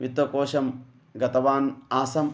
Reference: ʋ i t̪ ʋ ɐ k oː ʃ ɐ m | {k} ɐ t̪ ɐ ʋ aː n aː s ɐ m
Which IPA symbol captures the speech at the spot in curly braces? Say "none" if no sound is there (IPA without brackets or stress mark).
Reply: ɡ